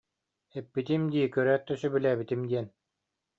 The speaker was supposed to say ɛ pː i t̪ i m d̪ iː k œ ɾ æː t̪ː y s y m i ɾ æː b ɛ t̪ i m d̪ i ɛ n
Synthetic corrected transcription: ɛ pː i t̪ i m d̪ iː k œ ɾ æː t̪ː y s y b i l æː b i t̪ i m d̪ i ɛ n